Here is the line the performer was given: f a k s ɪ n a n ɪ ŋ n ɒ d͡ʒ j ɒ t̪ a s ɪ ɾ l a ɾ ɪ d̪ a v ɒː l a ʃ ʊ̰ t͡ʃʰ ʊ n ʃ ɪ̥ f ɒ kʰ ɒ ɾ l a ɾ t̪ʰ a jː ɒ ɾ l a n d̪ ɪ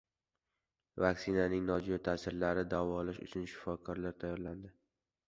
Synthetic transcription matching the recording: v a k s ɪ n a n ɪ ŋ n ɒ d͡ʒ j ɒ t̪ʰ a s ɪ ɾ l a ɾ ɪ d̪ a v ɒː l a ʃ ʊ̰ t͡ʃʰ ʊ n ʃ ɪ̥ f ɒ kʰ ɒ ɾ l a ɾ t̪ʰ a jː ɒ ɾ l a n d̪ ɪ